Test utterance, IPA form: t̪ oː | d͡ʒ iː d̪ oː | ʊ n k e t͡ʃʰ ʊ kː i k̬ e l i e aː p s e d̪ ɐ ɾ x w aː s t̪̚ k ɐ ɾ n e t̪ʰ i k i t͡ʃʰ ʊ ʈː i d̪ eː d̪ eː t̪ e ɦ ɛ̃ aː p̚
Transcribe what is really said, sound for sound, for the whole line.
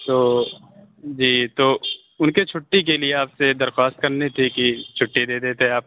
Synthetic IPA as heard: t̪ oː | d͡ʒ iː t̪ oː | ʊ n k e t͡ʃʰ ʊ ʈː i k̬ e l i e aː p s e d̪ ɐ ɾ x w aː s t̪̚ k ɐ ɾ n e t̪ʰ i k i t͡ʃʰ ʊ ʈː i d̪ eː d̪ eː t̪ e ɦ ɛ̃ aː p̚